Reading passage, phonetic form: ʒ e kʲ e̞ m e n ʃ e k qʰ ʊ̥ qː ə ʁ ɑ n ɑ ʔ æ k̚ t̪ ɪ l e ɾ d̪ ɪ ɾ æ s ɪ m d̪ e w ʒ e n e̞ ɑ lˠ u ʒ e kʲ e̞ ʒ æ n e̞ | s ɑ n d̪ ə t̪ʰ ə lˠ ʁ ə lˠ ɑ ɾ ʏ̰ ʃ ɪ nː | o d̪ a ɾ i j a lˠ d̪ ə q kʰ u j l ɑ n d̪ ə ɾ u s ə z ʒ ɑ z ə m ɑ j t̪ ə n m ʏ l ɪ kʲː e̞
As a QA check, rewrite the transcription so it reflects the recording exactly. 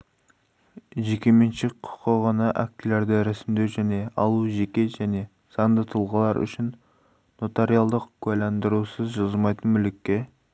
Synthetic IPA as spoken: ʒ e kʲ e̞ m e n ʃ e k qʰ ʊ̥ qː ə ʁ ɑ n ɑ ʔ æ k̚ t̪ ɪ l e ɾ d̪ ɪ ɾ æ s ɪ m d̪ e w ʒ æ n e̞ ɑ lˠ u ʒ e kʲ e̞ ʒ æ n e̞ | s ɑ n d̪ ə t̪ʰ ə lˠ ʁ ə lˠ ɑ ɾ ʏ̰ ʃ ɪ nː | o t̪ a ɾ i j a lˠ d̪ ə q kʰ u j l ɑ n d̪ ə ɾ u s ə z ʒ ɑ z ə m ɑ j t̪ ə n m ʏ l ɪ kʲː e̞